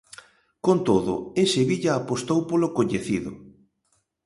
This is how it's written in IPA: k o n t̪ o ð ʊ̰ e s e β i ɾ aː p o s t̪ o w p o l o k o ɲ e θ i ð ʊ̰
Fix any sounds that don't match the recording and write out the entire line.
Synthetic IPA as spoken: k o n t̪ o ð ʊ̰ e s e β i ʎ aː p o s t̪ o w p o l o k o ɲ e θ i ð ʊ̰